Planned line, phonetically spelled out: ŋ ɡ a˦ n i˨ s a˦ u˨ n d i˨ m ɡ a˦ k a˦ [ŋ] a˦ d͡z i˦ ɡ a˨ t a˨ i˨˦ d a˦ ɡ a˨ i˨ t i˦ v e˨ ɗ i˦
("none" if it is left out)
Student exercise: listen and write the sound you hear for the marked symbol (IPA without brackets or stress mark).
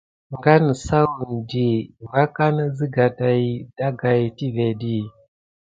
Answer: n